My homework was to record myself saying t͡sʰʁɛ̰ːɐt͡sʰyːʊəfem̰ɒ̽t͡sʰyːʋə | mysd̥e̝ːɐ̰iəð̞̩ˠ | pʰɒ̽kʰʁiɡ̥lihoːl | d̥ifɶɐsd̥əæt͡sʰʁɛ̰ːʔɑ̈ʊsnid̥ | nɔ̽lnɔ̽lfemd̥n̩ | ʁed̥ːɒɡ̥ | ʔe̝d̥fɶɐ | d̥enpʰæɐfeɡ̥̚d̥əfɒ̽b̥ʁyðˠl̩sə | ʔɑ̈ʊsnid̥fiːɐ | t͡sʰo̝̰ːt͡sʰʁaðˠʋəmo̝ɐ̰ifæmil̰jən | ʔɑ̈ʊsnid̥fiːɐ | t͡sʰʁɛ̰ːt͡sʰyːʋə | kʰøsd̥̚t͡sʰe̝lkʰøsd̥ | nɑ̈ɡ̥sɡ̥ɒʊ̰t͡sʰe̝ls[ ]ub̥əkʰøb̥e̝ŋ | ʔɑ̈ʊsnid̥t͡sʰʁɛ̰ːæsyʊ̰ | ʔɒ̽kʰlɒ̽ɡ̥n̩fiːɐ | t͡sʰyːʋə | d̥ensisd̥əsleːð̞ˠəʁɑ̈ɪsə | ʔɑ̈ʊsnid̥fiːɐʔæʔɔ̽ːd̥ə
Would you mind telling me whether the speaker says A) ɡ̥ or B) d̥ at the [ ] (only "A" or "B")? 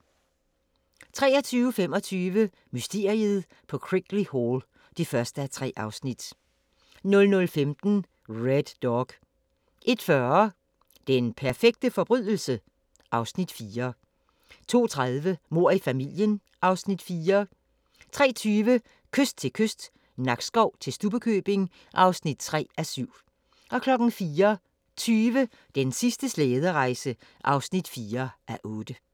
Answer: B